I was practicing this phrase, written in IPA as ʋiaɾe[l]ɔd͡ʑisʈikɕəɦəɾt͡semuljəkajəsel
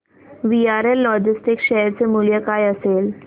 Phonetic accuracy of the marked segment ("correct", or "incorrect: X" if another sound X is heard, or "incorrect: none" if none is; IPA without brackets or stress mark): incorrect: lː